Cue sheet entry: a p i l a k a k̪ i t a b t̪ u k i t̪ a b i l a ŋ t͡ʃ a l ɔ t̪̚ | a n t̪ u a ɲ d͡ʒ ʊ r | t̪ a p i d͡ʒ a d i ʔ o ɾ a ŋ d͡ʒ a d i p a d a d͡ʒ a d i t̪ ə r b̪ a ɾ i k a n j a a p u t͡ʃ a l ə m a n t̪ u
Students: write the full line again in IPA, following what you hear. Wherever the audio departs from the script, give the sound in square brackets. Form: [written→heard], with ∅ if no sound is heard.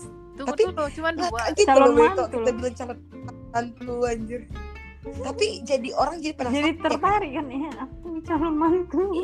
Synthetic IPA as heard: a p i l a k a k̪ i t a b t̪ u k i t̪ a b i l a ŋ t͡ʃ a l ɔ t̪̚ | a n t̪ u a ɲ d͡ʒ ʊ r | t̪ a p i d͡ʒ a d i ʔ o ɾ a ŋ d͡ʒ a d i p a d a d͡ʒ a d i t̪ ə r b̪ a ɾ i k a n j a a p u t͡ʃ a l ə m a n t̪ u